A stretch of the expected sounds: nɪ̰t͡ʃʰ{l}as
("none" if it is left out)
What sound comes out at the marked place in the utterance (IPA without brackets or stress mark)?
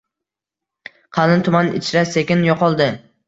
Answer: ɾ